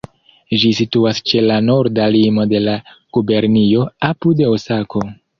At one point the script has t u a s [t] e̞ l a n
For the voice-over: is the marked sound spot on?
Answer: no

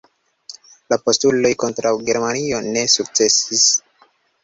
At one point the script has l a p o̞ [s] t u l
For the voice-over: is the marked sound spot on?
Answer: yes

